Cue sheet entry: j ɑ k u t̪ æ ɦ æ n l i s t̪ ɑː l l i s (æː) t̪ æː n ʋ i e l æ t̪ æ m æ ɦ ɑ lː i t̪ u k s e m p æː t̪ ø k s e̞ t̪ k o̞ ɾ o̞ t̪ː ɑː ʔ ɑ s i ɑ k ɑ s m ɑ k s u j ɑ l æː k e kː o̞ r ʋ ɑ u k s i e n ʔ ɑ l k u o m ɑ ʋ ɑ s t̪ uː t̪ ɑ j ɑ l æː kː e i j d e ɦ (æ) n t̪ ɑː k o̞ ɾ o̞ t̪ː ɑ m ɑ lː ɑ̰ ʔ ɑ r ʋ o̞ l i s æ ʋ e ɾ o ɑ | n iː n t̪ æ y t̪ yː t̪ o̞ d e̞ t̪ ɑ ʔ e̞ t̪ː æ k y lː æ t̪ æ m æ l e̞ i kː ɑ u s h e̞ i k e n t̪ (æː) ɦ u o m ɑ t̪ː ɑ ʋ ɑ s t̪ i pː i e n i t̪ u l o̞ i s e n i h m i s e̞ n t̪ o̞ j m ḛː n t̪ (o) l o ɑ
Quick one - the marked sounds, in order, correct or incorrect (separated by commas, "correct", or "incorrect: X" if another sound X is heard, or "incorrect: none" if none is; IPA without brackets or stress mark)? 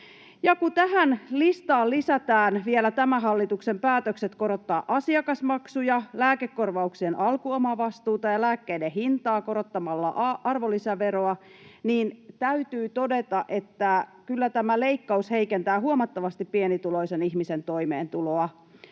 incorrect: æ, incorrect: i, correct, incorrect: u